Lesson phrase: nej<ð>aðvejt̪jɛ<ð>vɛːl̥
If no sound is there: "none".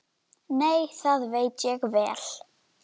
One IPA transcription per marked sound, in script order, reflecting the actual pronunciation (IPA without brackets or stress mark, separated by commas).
θ, ɣ